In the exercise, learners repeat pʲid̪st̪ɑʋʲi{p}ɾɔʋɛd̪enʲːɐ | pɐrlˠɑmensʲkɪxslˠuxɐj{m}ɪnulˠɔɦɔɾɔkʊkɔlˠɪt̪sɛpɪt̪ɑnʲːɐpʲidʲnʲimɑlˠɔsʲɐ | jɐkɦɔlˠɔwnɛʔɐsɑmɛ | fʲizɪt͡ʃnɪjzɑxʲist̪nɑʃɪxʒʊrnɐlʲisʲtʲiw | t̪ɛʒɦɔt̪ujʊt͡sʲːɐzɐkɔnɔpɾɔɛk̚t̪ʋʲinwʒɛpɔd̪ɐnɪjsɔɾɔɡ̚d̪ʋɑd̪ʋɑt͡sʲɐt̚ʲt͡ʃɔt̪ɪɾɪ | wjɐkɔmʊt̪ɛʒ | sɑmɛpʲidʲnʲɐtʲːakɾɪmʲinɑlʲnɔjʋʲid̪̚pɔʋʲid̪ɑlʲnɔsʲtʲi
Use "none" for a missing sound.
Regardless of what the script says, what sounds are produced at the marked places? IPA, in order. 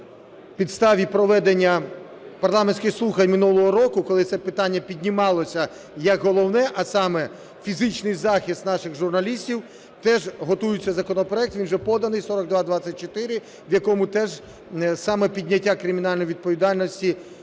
p, m

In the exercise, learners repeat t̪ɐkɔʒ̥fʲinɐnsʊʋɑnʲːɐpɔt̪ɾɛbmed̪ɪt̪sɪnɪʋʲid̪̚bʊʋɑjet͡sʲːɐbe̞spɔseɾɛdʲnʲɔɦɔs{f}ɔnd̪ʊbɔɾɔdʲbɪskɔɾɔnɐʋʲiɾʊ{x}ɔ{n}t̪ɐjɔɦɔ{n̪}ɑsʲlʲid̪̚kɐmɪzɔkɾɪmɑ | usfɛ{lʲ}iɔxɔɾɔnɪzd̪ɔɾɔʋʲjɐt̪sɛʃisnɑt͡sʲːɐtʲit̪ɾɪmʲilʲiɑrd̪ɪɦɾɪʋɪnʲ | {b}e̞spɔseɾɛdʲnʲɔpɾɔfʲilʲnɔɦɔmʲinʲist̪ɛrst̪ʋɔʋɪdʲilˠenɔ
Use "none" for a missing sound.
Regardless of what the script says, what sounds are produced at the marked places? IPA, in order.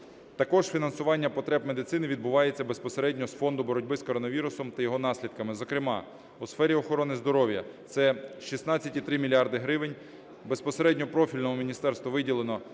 f, s, m, n̪, ɾʲ, b

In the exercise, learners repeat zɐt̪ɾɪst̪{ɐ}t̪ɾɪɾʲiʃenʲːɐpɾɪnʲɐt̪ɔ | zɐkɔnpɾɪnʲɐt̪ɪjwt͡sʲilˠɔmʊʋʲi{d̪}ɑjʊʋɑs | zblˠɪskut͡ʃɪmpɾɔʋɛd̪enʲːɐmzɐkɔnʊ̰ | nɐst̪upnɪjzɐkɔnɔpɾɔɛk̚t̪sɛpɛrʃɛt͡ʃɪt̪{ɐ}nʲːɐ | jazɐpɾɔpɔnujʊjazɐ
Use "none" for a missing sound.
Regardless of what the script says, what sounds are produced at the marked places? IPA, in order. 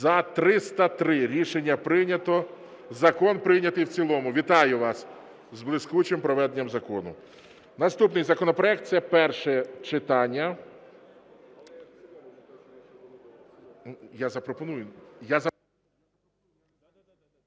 ɐ, t̪, ɑ

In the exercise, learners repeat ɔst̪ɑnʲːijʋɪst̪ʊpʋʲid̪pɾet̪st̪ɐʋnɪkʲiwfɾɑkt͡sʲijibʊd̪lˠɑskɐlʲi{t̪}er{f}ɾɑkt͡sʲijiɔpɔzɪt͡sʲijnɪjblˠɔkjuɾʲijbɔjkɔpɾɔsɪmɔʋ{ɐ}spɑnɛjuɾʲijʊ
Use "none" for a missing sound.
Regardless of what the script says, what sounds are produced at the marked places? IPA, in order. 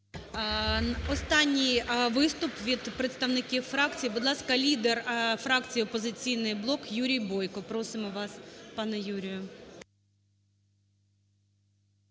d̪, f, ɑ

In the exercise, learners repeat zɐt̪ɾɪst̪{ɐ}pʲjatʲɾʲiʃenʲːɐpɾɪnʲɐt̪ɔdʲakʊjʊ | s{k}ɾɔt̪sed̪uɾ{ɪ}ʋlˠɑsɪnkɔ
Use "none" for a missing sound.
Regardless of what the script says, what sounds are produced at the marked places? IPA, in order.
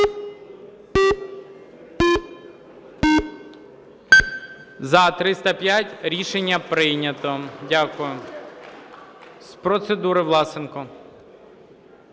ɐ, p, ɪ

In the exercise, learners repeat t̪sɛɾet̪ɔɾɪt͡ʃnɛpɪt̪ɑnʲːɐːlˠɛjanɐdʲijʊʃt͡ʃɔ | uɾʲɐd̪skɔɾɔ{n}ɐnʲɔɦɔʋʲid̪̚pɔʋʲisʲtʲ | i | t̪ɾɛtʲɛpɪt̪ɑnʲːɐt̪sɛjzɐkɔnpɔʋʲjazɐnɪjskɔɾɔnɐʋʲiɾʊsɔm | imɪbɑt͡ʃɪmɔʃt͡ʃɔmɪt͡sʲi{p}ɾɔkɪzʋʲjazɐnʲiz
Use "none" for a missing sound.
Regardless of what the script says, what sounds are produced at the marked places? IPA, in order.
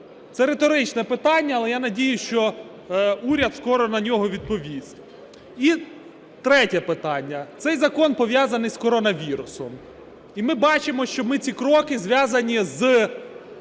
n, k

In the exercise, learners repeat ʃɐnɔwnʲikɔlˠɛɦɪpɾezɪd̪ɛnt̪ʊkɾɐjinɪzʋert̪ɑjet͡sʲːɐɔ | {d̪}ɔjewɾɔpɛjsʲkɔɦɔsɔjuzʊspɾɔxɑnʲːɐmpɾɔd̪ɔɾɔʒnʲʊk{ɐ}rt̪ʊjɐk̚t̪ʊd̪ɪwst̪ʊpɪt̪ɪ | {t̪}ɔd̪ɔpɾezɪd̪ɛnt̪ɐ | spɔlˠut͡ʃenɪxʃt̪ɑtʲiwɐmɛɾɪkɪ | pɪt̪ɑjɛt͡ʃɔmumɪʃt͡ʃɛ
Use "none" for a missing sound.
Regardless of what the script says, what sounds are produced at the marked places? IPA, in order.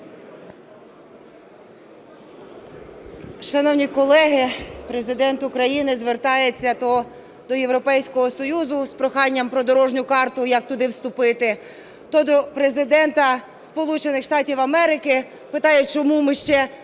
d̪, ɑ, t̪

